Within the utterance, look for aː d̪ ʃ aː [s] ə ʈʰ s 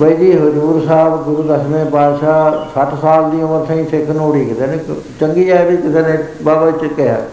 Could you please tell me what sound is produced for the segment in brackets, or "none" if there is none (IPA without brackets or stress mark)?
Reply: s